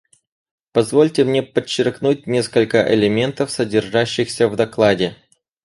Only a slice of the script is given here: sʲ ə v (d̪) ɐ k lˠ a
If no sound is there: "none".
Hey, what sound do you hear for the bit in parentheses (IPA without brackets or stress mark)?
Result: d̪